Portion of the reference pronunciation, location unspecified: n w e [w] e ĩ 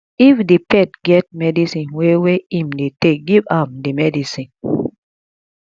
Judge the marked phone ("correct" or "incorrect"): correct